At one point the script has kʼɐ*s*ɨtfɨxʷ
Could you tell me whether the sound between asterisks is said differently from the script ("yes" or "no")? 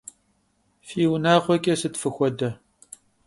no